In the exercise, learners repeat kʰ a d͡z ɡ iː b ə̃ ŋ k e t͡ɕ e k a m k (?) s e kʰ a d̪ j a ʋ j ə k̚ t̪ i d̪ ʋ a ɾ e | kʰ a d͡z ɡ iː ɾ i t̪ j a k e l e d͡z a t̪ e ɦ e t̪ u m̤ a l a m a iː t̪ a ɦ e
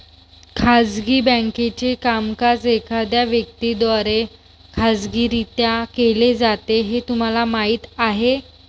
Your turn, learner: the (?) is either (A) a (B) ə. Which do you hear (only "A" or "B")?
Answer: A